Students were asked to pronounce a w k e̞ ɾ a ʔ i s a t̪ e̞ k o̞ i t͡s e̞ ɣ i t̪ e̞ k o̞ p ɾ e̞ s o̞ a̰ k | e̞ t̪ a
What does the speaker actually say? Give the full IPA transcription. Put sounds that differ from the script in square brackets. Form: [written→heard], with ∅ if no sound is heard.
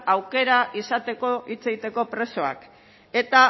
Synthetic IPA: a w k e̞ ɾ a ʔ i s a t̪ e̞ k o̞ i t͡s e̞ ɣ i t̪ e̞ k o̞ p ɾ e̞ s o̞ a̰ k | e̞ t̪ a